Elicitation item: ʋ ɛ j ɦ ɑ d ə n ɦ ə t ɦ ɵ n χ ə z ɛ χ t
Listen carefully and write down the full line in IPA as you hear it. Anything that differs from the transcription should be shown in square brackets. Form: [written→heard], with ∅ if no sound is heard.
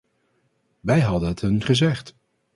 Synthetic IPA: ʋ ɛ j ɦ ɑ d ə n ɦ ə t ɦ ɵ n χ ə z ɛ χ t